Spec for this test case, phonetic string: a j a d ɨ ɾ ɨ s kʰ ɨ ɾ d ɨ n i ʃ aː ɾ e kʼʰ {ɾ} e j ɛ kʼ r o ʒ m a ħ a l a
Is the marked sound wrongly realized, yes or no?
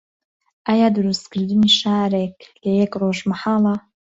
yes